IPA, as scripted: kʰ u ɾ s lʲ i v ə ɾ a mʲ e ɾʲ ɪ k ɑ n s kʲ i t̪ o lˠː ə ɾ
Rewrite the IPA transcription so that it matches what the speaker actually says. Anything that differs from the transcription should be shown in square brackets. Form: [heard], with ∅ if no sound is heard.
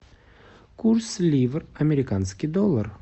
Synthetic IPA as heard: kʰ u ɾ s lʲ i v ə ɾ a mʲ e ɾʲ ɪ k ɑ n s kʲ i [d̪] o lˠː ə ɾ